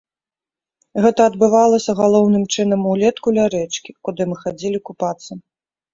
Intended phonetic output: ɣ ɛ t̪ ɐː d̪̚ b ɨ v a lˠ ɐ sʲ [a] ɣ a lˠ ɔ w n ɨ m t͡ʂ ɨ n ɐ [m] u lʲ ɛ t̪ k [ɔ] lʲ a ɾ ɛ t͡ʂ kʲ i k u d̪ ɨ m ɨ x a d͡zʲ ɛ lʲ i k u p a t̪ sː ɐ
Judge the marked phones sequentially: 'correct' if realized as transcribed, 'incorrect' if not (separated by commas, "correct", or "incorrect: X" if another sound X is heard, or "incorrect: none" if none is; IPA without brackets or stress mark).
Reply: incorrect: ɐ, correct, incorrect: u